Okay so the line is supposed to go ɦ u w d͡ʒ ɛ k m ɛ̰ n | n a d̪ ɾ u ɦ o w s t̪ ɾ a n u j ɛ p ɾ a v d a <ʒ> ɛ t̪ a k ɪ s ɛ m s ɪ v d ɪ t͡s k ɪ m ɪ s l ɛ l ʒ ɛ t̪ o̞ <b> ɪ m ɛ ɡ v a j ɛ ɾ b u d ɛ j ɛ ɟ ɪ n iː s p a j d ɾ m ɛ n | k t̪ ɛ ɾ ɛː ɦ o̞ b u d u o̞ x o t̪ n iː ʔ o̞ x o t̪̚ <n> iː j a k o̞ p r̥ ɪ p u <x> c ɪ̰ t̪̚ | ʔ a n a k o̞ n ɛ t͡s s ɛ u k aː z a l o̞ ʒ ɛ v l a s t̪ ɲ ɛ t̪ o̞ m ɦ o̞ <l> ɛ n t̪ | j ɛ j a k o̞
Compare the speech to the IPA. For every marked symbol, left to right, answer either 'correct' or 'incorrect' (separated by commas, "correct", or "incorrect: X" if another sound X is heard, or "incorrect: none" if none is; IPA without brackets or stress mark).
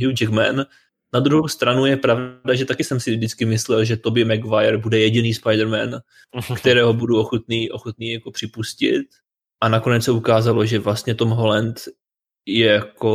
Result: correct, correct, correct, incorrect: s, correct